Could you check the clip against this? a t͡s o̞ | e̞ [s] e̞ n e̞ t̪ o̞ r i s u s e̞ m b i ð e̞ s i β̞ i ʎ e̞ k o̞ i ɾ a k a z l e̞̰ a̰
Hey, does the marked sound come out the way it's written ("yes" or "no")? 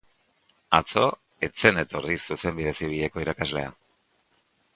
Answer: no